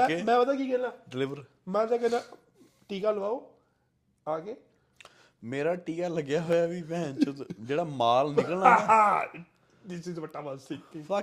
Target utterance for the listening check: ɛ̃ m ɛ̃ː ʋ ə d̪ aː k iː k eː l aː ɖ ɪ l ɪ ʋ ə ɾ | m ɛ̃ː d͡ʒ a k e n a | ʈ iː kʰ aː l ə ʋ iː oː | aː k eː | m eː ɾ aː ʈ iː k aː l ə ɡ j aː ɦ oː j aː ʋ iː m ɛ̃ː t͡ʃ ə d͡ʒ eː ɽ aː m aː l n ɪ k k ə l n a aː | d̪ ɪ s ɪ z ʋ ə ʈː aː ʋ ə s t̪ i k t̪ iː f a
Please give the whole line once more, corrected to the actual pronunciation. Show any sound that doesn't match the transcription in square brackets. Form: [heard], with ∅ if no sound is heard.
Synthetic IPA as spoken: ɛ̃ m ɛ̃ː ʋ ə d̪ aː k iː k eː l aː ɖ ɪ l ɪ ʋ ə ɾ | m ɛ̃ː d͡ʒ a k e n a | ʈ iː [k] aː l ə ʋ [aː] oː | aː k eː | m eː ɾ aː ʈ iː k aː l ə ɡ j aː ɦ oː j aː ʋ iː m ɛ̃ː t͡ʃ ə d͡ʒ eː ɽ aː m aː l n ɪ k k ə l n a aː | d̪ ɪ s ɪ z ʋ ə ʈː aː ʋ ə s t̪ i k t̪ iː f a